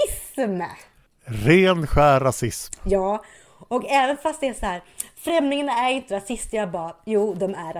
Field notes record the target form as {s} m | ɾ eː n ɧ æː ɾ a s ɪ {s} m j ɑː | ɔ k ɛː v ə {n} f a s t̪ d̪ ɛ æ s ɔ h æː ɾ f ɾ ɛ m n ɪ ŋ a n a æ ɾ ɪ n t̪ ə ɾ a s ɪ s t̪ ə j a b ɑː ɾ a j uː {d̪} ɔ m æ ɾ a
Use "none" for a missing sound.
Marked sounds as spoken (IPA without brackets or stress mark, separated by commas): s, s, n, d̪